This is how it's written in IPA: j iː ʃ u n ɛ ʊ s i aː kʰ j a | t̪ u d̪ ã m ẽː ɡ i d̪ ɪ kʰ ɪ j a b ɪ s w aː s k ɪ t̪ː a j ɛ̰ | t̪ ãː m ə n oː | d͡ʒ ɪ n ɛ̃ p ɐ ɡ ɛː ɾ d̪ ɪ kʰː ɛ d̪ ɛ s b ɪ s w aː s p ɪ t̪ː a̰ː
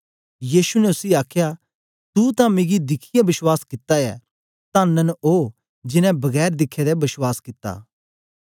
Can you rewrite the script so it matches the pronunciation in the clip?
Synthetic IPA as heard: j iː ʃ u n ɛ ʊ s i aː kʰ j a | t̪ u t̪ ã m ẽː ɡ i d̪ ɪ kʰ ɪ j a b ɪ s w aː s k ɪ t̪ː a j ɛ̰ | t̪ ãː n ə n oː | d͡ʒ ɪ n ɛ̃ b ɐ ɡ ɛː ɾ d̪ ɪ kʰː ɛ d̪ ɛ b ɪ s w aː s k ɪ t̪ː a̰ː